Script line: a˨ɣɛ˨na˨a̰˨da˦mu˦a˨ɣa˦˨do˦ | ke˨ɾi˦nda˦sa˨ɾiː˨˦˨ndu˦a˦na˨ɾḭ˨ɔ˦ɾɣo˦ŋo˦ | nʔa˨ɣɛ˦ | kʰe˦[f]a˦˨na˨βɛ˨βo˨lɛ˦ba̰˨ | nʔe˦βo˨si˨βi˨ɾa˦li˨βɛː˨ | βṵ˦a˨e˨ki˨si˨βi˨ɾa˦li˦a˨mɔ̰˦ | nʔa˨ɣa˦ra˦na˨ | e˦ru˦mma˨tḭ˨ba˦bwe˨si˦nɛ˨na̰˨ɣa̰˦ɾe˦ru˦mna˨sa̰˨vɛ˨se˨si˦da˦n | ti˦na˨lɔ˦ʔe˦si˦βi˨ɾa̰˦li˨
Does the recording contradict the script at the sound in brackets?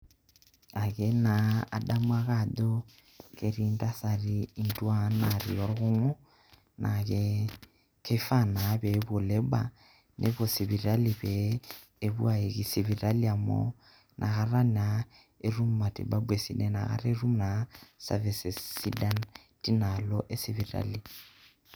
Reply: no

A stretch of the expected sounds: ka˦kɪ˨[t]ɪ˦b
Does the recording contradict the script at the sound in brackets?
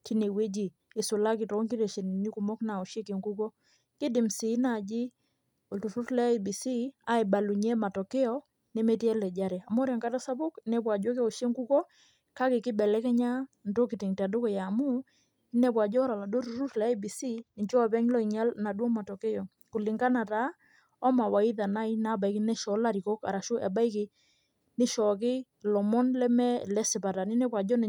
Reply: yes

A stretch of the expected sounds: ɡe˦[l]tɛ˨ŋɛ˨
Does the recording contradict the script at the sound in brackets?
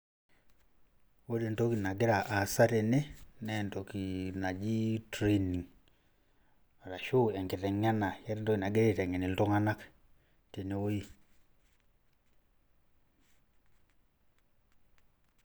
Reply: yes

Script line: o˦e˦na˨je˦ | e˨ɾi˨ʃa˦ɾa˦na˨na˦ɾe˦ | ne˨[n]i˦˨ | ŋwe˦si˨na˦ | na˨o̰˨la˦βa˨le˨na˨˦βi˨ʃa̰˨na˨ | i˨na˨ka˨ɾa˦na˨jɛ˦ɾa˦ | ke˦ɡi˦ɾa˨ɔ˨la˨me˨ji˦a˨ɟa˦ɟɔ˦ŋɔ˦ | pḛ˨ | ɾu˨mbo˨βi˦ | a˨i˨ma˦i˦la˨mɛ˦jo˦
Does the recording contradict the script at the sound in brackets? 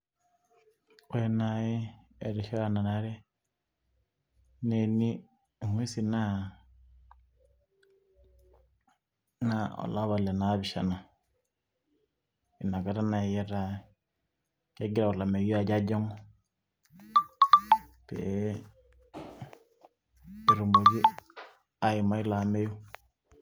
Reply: no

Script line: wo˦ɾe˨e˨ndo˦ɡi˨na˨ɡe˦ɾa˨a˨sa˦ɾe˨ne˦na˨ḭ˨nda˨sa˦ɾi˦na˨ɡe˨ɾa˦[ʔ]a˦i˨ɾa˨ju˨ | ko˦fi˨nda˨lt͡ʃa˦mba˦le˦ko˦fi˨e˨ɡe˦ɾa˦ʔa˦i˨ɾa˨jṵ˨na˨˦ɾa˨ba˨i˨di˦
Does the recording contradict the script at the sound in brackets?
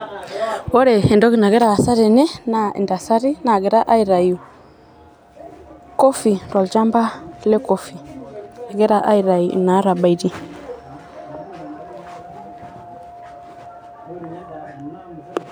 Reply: no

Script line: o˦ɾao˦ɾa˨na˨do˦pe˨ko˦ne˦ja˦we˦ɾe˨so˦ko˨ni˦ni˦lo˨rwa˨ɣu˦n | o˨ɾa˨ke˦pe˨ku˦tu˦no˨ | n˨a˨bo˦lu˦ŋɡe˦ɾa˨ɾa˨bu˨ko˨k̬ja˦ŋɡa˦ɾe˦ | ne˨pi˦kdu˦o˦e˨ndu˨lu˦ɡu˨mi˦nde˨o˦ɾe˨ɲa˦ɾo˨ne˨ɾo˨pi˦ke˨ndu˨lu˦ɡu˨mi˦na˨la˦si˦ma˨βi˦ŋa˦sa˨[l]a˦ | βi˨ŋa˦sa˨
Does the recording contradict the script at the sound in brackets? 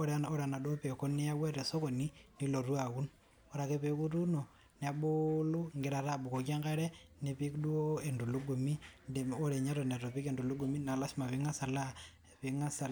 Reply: no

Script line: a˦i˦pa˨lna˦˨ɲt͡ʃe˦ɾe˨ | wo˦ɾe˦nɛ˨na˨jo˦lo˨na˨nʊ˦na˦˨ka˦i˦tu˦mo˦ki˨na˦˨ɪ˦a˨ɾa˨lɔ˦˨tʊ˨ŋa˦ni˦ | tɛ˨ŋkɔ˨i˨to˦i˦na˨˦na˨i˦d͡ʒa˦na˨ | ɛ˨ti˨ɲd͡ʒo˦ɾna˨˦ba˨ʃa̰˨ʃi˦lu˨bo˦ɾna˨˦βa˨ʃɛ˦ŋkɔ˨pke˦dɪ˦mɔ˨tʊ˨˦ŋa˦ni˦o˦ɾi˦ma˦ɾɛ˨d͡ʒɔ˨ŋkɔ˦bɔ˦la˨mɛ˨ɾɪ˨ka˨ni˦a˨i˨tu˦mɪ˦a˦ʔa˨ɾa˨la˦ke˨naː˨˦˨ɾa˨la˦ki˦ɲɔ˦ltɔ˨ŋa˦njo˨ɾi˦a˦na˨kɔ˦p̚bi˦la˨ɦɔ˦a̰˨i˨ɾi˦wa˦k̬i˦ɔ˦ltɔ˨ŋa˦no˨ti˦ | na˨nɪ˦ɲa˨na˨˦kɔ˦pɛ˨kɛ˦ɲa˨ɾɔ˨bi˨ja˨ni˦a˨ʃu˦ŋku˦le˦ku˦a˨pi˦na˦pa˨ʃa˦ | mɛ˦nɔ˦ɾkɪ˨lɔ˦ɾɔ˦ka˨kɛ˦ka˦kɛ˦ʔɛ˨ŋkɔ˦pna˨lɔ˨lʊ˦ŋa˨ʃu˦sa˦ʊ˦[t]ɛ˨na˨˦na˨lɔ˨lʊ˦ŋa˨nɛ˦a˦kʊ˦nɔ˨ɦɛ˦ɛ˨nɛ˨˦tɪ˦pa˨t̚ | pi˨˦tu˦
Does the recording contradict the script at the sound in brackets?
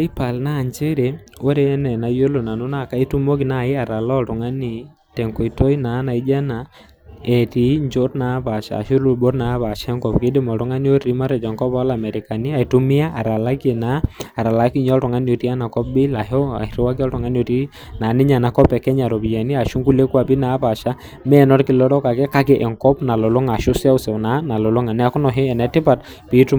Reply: yes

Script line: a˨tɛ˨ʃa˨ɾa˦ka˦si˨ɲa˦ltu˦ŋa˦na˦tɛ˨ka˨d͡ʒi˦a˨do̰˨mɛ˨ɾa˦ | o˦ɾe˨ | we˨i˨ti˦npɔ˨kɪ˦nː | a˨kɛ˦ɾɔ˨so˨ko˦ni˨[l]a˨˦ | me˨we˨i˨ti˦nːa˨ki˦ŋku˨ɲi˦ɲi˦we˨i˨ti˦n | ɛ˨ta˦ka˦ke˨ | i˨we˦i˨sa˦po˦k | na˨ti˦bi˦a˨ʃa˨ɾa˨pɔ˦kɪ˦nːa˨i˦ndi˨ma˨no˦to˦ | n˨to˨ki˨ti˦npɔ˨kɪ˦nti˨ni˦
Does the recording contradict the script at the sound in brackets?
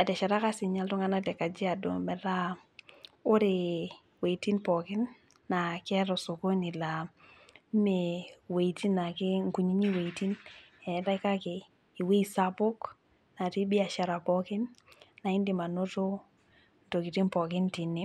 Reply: no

